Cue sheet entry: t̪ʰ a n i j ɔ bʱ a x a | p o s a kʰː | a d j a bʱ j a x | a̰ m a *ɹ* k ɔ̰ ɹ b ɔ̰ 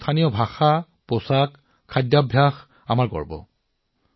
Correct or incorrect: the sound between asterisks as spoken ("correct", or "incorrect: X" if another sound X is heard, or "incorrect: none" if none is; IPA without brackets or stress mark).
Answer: correct